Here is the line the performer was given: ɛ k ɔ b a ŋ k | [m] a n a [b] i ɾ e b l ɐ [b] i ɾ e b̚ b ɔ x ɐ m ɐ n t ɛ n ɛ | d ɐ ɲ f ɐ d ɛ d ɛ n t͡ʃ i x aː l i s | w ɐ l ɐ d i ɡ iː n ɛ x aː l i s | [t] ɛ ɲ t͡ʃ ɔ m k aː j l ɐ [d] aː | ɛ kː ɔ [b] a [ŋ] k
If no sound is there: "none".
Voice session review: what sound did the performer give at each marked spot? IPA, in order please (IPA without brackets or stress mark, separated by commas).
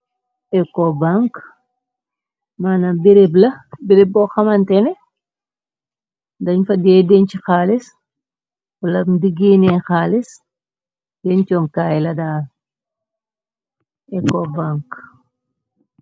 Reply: m, b, b, d, d, b, ŋ